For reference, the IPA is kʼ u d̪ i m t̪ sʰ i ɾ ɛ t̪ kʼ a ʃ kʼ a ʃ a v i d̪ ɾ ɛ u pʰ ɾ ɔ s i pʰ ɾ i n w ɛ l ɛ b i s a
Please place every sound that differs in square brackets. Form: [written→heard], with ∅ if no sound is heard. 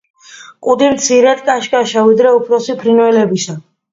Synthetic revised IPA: kʼ u d̪ i m t̪ sʰ i ɾ ɛ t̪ kʼ a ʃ kʼ a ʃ a v i d̪ ɾ ɛ u pʰ ɾ ɔ s i pʰ ɾ i n w ɛ l ɛ b i s a